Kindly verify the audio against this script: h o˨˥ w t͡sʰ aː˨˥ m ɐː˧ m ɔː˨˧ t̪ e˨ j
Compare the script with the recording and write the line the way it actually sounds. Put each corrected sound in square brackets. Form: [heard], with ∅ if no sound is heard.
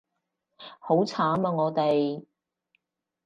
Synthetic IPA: h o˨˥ w t͡sʰ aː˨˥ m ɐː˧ [ŋ] ɔː˨˧ t̪ e˨ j